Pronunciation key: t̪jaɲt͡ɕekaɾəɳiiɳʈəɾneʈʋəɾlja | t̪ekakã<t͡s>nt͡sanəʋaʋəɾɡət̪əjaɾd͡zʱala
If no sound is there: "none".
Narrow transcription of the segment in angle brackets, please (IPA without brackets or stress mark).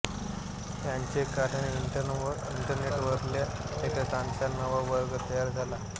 none